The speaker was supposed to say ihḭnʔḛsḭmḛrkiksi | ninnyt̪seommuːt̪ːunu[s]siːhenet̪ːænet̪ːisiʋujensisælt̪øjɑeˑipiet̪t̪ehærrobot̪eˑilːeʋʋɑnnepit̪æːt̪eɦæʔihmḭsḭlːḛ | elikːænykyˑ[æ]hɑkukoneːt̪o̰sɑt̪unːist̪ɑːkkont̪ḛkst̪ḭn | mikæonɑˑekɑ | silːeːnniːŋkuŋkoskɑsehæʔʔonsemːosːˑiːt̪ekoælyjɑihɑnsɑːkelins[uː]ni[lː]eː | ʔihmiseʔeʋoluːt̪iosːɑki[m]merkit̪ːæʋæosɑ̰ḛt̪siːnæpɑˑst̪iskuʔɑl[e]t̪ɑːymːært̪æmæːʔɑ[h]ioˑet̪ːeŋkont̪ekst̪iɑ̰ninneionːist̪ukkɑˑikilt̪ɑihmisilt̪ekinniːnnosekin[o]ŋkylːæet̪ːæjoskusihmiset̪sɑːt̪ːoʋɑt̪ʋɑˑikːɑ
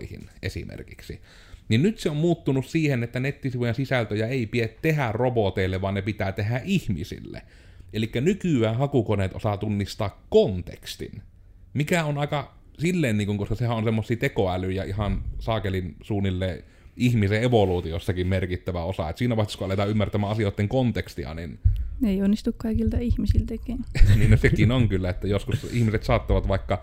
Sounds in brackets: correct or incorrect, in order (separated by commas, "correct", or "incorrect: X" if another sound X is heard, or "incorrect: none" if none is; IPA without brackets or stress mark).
correct, incorrect: æː, correct, correct, correct, correct, incorrect: s, correct